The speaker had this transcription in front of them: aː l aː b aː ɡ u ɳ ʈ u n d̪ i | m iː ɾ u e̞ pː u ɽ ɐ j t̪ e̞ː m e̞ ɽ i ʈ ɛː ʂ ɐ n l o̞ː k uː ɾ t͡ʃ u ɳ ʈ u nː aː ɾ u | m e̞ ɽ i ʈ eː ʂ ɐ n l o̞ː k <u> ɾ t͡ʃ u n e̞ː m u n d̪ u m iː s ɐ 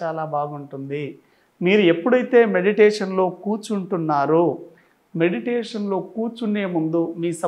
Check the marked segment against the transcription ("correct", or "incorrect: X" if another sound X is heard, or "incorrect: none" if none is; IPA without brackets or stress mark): incorrect: uː